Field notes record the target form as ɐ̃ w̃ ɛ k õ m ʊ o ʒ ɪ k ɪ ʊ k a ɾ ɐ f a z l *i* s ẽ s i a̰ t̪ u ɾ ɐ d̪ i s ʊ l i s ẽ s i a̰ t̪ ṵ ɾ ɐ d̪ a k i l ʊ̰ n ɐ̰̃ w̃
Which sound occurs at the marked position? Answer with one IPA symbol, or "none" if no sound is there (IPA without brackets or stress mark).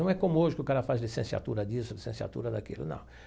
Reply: i